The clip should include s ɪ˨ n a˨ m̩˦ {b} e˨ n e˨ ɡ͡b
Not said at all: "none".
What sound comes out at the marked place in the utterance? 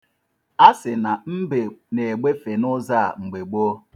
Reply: b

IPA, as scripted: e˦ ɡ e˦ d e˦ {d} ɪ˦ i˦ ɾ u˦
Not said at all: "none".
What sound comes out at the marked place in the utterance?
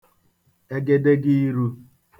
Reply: ɡ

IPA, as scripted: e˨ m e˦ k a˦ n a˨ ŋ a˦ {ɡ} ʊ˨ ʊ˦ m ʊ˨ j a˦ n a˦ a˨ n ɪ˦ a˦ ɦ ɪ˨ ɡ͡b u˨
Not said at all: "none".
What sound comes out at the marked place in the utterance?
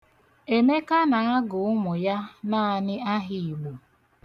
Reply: ɡ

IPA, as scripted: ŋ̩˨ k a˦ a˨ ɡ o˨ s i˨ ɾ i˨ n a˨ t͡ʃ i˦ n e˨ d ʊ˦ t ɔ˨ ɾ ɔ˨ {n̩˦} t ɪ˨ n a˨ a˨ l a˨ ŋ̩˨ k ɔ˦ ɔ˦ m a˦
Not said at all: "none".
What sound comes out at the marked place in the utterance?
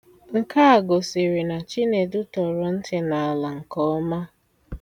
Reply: n̩˦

